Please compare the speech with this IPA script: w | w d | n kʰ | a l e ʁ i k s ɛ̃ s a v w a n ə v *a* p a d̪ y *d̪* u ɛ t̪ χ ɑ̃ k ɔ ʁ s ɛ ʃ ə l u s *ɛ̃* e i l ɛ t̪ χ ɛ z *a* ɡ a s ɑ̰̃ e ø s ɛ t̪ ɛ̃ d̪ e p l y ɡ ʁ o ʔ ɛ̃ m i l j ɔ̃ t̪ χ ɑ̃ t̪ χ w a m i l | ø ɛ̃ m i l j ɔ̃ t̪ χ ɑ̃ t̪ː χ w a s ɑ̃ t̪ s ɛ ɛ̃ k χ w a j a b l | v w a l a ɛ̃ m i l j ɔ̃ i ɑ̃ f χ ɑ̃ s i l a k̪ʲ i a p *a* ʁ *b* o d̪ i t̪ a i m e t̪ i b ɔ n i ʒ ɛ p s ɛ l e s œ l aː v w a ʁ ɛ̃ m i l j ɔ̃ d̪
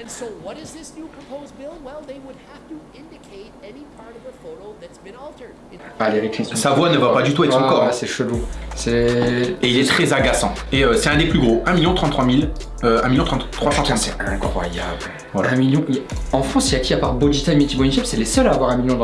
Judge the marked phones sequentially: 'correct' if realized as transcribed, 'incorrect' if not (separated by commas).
correct, incorrect, incorrect, correct, correct, correct